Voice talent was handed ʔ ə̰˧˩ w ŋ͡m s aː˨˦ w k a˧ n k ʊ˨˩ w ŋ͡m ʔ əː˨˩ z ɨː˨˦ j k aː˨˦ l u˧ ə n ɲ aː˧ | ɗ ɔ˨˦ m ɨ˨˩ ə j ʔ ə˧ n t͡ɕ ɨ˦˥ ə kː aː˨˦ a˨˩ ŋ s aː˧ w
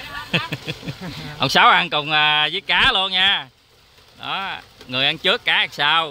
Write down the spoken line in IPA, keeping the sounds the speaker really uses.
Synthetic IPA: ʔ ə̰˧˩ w ŋ͡m s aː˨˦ w ʔ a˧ n k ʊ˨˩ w ŋ͡m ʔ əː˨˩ z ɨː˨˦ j k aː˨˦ l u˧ ə n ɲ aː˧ | ɗ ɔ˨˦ ŋ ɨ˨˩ ə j ʔ a˧ n t͡ɕ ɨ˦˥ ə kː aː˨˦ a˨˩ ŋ s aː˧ w